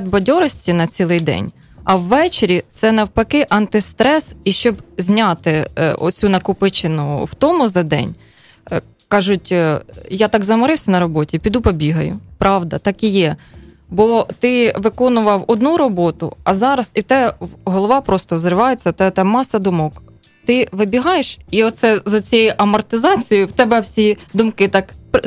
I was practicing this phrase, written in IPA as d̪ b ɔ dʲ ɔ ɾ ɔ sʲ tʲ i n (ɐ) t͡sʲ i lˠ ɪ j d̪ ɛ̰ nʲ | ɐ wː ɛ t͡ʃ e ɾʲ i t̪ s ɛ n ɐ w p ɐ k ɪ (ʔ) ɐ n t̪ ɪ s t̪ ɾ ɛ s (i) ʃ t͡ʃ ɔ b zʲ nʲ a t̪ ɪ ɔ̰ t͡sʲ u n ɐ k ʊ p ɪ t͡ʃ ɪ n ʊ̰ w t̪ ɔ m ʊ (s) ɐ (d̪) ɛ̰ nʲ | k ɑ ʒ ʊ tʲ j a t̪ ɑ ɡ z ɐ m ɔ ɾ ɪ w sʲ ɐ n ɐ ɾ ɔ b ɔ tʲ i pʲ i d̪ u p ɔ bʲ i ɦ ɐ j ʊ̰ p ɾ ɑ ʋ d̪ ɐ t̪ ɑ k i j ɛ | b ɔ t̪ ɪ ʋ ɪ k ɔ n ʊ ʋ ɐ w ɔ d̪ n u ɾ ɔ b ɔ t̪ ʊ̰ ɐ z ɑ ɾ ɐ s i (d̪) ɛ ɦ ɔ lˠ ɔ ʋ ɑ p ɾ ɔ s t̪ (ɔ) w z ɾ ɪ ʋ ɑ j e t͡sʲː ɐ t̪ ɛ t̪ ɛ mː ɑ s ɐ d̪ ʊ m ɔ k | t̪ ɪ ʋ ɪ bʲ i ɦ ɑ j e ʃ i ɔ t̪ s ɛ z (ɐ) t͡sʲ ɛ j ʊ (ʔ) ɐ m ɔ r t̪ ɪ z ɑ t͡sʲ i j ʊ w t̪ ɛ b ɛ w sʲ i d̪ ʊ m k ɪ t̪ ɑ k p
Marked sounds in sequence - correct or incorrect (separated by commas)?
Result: correct, correct, correct, incorrect, correct, incorrect, correct, correct, correct